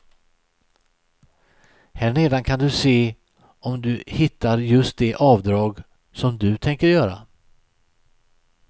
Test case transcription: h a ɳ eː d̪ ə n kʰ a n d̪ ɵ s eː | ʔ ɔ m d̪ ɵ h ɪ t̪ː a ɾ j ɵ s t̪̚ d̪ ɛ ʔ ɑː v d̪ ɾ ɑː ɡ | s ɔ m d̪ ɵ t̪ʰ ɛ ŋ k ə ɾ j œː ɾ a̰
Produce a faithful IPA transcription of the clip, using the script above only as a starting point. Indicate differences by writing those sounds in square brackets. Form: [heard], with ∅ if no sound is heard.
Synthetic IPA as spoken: h [æ] ɳ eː d̪ [a] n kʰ a n d̪ ɵ s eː | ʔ ɔ m d̪ ɵ h ɪ t̪ː a ɾ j ɵ s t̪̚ d̪ ɛ ʔ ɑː v d̪ ɾ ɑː ɡ | s ɔ m d̪ ɵ t̪ʰ ɛ ŋ k ə ɾ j œː ɾ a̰

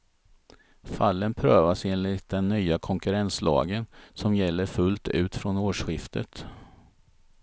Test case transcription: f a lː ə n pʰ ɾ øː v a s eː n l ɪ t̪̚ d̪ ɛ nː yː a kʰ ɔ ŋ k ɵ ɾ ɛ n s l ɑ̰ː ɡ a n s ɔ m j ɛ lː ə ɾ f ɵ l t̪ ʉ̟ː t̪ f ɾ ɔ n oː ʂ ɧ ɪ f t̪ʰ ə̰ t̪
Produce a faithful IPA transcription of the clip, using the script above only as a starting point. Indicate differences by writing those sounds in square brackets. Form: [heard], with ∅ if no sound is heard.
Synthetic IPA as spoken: f a lː ə n pʰ ɾ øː v a s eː n l ɪ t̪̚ d̪ ɛ nː yː a kʰ ɔ ŋ k ɵ ɾ ɛ n s l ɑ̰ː ɡ [ə] n s ɔ m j ɛ lː ə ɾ f ɵ l t̪ ʉ̟ː t̪ f ɾ ɔ n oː ʂ ɧ ɪ f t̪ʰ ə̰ t̪

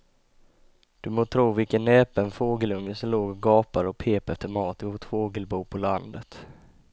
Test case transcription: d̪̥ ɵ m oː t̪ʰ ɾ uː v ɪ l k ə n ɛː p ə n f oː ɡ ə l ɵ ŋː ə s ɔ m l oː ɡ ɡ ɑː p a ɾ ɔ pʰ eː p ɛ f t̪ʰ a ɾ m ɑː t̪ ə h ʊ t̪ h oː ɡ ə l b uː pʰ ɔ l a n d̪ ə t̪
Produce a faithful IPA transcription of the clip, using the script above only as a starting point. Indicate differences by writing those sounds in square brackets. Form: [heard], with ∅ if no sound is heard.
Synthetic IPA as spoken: d̪̥ ɵ m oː t̪ʰ ɾ uː v ɪ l k ə n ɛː p ə n f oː ɡ ə l ɵ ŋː ə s ɔ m l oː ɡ ɡ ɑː p a ɾ ɔ pʰ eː p ɛ f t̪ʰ [ə] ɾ m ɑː t̪ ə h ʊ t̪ [f] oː ɡ ə l b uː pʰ ɔ l a n d̪ ə t̪

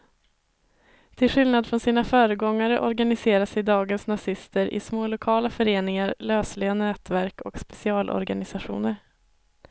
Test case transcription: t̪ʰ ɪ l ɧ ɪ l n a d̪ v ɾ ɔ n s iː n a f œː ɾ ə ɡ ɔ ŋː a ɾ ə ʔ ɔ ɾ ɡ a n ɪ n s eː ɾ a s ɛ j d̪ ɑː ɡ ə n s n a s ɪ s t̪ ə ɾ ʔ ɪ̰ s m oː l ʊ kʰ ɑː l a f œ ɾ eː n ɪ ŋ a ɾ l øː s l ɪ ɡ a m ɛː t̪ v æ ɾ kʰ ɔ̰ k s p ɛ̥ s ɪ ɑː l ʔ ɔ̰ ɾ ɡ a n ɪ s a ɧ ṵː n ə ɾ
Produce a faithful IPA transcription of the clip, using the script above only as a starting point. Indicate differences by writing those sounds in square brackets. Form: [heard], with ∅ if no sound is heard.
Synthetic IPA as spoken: t̪ʰ ɪ l ɧ ɪ l n a d̪ [f] ɾ ɔ n s iː n a f œː ɾ ə ɡ ɔ ŋː a ɾ ə ʔ ɔ ɾ ɡ a n ɪ [∅] s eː ɾ a s ɛ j d̪ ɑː ɡ ə n s n a s ɪ s t̪ ə ɾ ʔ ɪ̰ s m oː l ʊ kʰ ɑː l a f œ ɾ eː n ɪ ŋ a ɾ l øː s l ɪ ɡ a [n] ɛː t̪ v æ ɾ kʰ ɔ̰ k s p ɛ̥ s ɪ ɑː l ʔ ɔ̰ ɾ ɡ a n ɪ s a ɧ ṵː n ə ɾ

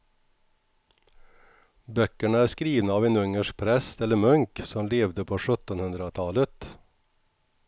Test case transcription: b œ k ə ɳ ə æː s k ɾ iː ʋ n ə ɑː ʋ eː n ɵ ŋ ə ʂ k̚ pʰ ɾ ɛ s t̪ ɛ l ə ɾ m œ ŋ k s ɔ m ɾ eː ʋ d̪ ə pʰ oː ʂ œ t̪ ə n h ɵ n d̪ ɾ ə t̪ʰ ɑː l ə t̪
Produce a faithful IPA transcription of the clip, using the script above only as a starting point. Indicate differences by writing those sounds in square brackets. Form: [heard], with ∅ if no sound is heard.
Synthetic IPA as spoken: b œ k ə ɳ ə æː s k ɾ iː ʋ n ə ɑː ʋ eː n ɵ ŋ ə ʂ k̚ pʰ ɾ ɛ s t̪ ɛ l ə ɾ m œ ŋ k s ɔ m [l] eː ʋ d̪ ə pʰ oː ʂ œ t̪ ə n h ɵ n d̪ ɾ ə t̪ʰ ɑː l ə t̪

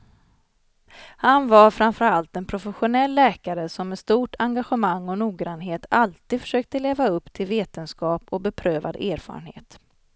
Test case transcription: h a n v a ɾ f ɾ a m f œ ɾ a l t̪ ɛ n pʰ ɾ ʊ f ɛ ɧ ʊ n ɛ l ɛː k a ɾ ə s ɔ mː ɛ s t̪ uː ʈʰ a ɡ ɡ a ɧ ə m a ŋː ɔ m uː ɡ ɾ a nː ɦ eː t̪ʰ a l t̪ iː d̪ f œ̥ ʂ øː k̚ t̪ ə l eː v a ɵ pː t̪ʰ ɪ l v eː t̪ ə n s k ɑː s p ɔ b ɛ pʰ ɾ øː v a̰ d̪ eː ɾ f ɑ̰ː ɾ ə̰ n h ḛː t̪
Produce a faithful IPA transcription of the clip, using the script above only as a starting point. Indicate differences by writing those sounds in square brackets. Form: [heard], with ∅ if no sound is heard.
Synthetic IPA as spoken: h a n v a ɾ f ɾ a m f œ ɾ a l t̪ ɛ n pʰ ɾ ʊ f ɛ ɧ ʊ n ɛ [lː] ɛː k a ɾ ə s ɔ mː ɛ s t̪ uː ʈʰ a [ŋ] ɡ a ɧ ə m a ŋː ɔ [n] uː ɡ ɾ a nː ɦ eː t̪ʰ a l t̪ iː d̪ f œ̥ ʂ øː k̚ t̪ ə l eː v a ɵ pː t̪ʰ ɪ l v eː t̪ ə n s k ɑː [∅] p ɔ b ɛ pʰ ɾ øː v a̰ d̪ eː ɾ f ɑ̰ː ɾ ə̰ n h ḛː t̪

